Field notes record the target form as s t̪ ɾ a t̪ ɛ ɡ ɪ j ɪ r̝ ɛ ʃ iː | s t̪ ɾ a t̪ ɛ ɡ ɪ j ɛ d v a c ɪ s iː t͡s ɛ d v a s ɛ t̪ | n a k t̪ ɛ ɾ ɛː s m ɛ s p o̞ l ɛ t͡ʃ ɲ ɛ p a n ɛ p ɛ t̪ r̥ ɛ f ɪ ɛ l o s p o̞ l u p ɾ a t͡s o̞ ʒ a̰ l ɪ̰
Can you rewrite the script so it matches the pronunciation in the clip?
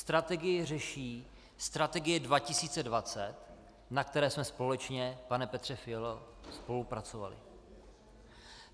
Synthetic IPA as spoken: s t̪ ɾ a t̪ ɛ ɡ ɪ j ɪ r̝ ɛ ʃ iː | s t̪ ɾ a t̪ ɛ ɡ ɪ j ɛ d v a c ɪ s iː t͡s ɛ d v a t͡s ɛ t̪ | n a k t̪ ɛ ɾ ɛː s m ɛ s p o̞ l ɛ t͡ʃ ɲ ɛ p a n ɛ p ɛ t̪ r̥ ɛ f ɪ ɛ l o s p o̞ l u p ɾ a t͡s o̞ v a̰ l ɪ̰